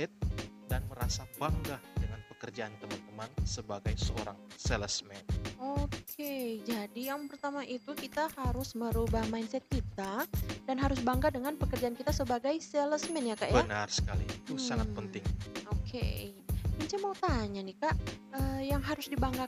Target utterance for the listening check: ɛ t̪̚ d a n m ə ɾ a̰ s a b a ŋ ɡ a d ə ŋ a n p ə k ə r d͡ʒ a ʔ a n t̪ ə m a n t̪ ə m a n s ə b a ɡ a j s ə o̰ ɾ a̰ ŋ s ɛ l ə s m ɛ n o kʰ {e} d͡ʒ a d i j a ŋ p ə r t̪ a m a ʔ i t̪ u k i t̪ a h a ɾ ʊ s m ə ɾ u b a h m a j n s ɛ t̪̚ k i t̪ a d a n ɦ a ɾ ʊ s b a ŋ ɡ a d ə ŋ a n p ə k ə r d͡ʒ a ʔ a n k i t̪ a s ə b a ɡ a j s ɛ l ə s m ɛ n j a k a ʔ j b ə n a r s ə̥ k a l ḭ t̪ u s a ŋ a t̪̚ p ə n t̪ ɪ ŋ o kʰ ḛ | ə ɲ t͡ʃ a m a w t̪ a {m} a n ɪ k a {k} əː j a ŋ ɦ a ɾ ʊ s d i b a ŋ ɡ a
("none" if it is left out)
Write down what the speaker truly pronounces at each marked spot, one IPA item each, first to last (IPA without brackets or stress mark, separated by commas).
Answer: e, ɲ, ʔ